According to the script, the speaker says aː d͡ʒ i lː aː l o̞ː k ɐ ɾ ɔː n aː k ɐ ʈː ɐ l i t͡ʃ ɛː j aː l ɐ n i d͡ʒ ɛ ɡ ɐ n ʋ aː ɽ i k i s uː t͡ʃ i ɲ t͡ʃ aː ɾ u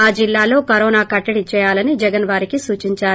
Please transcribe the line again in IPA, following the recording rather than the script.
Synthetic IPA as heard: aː d͡ʒ i lː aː l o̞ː k ɐ ɾ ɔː n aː k ɐ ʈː ɐ ɽ i t͡ʃ ɛː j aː l ɐ n i d͡ʒ ɛ ɡ ɐ n ʋ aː ɾ i k i s uː t͡ʃ i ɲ t͡ʃ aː ɾ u